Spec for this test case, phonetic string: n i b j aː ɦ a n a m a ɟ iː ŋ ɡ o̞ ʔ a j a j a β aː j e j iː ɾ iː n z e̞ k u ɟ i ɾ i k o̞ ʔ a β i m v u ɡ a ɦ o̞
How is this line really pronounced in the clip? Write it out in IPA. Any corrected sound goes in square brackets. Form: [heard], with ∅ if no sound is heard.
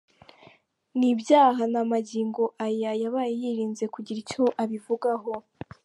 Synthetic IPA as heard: n i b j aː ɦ a n a m a ɟ iː ŋ ɡ o̞ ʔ a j a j a β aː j e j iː ɾ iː n z e̞ k u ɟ i ɾ i [c] o̞ ʔ a β i [∅] v u ɡ a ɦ o̞